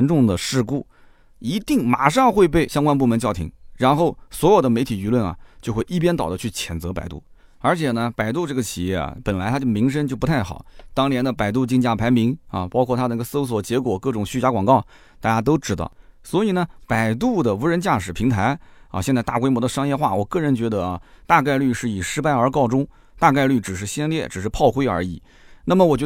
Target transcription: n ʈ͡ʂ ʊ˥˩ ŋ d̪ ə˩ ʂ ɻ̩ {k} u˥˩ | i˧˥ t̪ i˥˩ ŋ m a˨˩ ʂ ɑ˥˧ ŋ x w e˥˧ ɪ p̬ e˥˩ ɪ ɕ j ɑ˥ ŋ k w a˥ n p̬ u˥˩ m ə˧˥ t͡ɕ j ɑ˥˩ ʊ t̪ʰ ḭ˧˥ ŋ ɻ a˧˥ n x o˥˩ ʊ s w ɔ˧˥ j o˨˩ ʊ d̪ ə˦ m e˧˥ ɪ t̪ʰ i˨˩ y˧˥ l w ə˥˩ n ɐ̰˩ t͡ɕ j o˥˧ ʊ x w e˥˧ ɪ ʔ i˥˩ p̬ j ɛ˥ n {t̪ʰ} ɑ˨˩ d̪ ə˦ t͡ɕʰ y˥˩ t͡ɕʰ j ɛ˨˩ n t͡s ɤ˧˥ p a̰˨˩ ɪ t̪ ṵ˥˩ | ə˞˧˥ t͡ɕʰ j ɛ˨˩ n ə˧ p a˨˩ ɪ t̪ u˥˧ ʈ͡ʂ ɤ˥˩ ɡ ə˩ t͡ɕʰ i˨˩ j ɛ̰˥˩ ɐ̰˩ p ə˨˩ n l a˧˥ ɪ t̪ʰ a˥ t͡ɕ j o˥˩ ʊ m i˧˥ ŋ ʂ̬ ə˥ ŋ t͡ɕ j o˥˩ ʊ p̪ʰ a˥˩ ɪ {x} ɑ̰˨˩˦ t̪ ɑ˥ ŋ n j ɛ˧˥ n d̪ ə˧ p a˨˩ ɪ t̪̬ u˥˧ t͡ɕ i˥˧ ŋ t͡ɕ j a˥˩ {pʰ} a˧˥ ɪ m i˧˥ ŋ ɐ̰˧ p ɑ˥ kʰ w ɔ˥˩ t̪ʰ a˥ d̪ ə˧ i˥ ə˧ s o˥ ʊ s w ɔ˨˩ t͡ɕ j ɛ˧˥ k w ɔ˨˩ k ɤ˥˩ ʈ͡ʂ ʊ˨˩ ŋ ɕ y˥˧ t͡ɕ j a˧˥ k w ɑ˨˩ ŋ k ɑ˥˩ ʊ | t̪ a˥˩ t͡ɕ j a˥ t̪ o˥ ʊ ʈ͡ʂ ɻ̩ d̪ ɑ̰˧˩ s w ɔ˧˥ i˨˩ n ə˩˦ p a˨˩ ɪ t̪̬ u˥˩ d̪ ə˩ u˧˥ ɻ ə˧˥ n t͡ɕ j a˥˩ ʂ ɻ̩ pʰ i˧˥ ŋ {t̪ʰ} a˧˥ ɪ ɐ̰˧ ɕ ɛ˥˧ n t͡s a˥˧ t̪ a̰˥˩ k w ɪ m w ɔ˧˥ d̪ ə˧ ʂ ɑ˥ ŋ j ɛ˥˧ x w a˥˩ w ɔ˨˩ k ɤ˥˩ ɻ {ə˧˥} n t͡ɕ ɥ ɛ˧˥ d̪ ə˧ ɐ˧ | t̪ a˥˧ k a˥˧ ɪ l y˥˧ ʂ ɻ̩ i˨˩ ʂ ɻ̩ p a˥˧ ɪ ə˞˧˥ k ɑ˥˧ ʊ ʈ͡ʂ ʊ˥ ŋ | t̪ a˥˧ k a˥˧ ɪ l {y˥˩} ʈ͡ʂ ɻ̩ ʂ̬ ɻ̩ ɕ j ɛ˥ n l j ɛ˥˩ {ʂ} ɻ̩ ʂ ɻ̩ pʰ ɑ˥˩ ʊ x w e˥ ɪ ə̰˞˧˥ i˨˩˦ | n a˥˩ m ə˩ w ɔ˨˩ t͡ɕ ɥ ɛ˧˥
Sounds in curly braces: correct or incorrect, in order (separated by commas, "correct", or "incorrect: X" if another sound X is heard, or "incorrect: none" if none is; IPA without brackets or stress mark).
correct, incorrect: t̪, correct, correct, correct, correct, correct, incorrect: ʈ͡ʂ